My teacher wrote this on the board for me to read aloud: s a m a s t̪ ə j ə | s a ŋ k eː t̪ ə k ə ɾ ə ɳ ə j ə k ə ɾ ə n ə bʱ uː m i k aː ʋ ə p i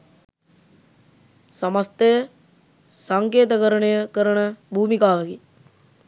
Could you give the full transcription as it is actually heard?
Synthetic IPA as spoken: s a m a s t̪ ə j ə | s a ŋ k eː t̪ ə k ə ɾ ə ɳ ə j ə k ə ɾ ə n ə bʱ uː m i k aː ʋ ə k i